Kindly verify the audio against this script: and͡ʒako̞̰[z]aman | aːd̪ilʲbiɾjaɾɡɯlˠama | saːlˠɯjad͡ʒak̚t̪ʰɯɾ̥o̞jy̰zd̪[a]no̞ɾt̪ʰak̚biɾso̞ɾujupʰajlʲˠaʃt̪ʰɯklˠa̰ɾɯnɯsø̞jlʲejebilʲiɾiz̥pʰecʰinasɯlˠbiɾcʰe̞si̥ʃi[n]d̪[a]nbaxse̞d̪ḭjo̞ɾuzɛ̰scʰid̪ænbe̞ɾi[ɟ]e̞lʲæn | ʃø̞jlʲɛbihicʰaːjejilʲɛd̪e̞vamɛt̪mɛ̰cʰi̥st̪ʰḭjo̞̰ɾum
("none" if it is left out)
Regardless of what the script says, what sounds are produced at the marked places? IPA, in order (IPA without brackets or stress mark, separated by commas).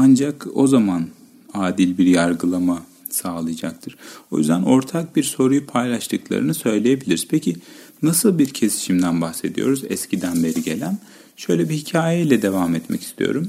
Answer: z, æ, m, æ, ɟ